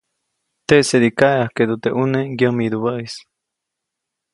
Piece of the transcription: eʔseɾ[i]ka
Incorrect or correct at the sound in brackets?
correct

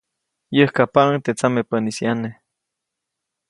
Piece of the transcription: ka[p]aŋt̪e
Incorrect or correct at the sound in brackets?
correct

